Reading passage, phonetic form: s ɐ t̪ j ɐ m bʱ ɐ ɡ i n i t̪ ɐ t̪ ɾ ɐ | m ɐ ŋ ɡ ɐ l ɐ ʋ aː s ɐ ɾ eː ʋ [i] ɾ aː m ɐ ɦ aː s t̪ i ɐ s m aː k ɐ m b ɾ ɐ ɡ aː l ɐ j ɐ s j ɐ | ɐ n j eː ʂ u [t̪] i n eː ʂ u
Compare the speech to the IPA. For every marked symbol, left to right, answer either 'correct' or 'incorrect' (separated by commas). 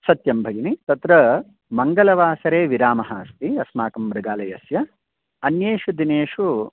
correct, incorrect